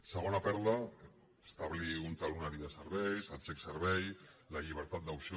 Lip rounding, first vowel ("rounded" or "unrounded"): unrounded